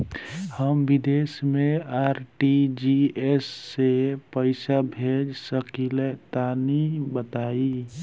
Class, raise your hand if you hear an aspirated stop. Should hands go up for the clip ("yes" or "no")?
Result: no